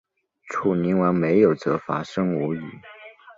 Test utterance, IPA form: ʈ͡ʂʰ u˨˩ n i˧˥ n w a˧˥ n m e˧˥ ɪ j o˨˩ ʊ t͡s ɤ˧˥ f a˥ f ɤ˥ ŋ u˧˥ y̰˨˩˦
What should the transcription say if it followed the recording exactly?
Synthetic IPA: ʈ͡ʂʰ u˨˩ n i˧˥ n w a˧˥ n m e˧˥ ɪ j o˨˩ ʊ t͡s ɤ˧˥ f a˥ ʂ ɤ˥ ŋ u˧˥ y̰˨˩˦